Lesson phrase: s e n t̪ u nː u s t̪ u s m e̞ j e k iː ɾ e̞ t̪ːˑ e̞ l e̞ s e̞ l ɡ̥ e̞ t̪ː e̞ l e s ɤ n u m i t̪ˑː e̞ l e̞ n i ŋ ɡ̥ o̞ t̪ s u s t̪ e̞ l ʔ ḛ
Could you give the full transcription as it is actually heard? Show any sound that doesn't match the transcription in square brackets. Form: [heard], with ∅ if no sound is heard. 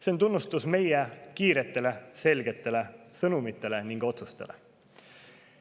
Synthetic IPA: s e n t̪ u nː u s t̪ u s m e̞ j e k iː ɾ e̞ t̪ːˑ e̞ l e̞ s e̞ l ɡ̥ e̞ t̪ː e̞ l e s ɤ n u m i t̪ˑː e̞ l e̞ n i ŋ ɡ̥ o̞ t̪ s u s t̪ e̞ l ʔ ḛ

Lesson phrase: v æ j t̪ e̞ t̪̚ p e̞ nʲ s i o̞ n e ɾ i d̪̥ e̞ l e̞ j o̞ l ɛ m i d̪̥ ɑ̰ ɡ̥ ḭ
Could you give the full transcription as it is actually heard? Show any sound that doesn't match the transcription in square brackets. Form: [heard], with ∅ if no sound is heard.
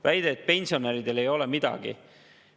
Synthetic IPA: v æ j [d̪] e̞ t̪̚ p e̞ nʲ s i o̞ n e ɾ i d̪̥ e̞ l e̞ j o̞ l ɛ m i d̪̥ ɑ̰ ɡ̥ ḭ

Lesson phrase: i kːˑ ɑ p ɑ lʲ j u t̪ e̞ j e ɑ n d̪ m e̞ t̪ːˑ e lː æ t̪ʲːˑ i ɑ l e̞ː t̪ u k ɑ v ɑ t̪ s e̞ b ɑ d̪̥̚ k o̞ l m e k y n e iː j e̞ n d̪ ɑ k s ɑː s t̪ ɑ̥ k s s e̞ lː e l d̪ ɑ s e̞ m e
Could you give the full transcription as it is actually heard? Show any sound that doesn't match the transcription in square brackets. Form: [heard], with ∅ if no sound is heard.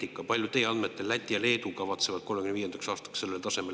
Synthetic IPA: i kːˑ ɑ p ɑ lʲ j u t̪ e̞ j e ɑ n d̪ m e̞ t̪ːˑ e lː æ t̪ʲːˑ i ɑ l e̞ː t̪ u k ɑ v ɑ t̪ s e̞ [v] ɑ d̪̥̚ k o̞ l m e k y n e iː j e̞ n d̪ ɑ k s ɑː s t̪ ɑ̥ k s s e̞ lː e l [t̪] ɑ s e̞ m e

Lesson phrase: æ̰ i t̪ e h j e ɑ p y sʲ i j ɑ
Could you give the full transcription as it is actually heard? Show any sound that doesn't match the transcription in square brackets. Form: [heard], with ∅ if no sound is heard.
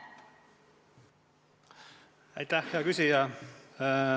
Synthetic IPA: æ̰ [j] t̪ [æ] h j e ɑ [k] y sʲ i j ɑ

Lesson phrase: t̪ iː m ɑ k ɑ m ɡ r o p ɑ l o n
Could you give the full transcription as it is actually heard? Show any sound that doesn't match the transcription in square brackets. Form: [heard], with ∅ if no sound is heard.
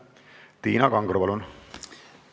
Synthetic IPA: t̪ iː [n] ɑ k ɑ [ŋ] ɡ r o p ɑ l [u] n

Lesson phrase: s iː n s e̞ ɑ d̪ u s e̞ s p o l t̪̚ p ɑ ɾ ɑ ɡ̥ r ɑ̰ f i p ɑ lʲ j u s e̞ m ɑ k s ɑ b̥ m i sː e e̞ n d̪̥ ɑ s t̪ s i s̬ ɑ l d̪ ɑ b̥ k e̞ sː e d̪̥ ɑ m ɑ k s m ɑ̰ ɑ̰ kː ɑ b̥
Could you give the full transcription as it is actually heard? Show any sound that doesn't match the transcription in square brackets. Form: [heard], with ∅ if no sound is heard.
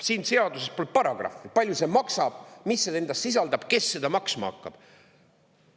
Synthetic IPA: s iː n s e̞ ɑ d̪ u s e̞ s p o l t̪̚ p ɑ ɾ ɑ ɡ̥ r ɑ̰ f i p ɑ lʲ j u s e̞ m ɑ k s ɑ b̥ m i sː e e̞ n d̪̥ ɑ s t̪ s i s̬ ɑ l d̪ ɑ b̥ k e̞ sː e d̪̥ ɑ m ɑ k s m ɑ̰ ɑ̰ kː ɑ b̥

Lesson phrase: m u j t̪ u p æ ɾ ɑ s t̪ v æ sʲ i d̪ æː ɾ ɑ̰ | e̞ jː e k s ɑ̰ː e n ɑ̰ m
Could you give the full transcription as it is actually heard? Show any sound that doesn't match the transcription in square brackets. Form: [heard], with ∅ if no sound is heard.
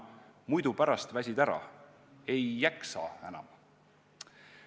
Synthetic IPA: m u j [d̪] u p æ ɾ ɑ s t̪ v æ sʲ i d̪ [æ] ɾ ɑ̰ | e̞ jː [æ] k s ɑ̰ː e n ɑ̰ m

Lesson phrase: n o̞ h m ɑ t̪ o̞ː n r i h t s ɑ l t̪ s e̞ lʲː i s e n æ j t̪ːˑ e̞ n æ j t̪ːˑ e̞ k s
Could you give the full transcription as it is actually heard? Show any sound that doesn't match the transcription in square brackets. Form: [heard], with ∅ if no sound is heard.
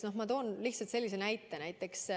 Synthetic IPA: n o̞ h m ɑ t̪ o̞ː n [l] i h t s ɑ l t̪ s e̞ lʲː i s e n æ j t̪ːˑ e̞ n æ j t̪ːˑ e̞ k s

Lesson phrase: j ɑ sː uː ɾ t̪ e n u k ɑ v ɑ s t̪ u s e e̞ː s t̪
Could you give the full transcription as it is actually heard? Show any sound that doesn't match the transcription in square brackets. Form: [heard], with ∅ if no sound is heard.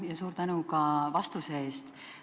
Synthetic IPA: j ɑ [s] uː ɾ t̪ [æ] n u k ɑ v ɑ s t̪ u s e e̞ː s t̪

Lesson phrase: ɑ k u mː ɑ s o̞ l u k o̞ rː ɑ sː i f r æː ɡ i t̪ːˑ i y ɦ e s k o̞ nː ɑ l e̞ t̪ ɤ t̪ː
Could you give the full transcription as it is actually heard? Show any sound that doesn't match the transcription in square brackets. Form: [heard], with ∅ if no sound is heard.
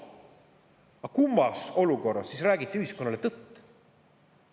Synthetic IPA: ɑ k u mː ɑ s o̞ l u k o̞ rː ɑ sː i [s] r æː ɡ i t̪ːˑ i y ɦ [i] s k o̞ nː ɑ l e̞ t̪ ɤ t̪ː

